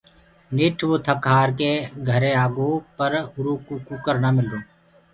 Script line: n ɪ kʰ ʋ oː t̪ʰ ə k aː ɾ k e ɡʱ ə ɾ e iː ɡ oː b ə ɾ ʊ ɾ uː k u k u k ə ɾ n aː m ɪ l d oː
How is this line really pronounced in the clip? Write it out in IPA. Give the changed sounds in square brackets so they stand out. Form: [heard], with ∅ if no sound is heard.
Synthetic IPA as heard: n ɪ [ʈʰ] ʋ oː t̪ʰ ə k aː ɾ k e ɡʱ ə ɾ e [aː] ɡ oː [p] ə ɾ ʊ ɾ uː k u k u k ə ɾ n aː m ɪ l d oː